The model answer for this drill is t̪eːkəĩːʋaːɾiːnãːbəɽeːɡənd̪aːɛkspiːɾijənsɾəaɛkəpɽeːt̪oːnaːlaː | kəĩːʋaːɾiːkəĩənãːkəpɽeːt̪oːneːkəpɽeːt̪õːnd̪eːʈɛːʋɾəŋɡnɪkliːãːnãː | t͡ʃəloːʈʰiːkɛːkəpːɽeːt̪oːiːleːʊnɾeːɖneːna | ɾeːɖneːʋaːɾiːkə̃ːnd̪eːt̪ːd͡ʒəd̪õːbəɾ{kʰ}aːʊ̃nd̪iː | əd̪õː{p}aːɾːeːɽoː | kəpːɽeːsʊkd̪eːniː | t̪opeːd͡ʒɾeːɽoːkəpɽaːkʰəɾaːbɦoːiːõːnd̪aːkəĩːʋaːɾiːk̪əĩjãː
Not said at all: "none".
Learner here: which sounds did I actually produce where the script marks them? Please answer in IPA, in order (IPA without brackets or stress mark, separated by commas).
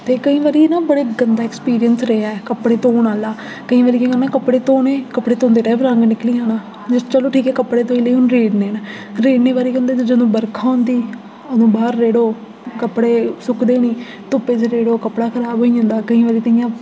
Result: kʰ, b